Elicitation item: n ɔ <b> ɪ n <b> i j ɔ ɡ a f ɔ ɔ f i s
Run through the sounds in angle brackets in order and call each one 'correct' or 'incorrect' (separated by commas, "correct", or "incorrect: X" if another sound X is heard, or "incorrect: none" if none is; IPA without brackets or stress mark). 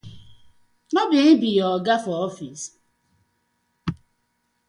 correct, correct